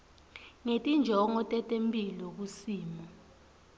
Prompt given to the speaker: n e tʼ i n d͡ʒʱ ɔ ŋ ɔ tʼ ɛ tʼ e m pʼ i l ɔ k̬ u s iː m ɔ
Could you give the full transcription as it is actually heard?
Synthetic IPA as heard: ŋ e tʼ i n d͡ʒʱ ɔ ŋ ɔ tʼ ɛ tʼ e m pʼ i l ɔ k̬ u s iː m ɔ